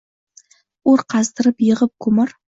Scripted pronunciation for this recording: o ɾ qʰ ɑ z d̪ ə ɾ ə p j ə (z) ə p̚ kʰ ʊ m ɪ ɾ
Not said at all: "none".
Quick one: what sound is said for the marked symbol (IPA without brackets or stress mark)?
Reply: ʁ